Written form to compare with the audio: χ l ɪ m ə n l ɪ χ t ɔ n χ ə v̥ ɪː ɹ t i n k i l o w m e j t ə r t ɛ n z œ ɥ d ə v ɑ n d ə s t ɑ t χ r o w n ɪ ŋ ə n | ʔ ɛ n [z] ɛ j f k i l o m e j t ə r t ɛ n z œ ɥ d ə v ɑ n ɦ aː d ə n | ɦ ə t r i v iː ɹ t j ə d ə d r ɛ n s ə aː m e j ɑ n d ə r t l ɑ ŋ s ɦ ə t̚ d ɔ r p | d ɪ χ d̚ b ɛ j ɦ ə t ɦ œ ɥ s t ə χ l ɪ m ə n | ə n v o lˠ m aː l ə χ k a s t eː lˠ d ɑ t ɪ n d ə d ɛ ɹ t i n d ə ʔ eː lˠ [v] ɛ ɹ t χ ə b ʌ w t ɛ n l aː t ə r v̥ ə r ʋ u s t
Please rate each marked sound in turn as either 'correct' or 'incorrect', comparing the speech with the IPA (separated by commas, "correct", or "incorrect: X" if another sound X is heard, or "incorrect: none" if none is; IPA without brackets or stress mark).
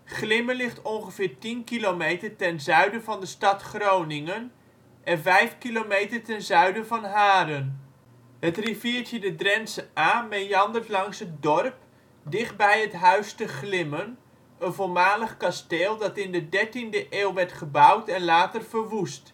incorrect: v, incorrect: ʋ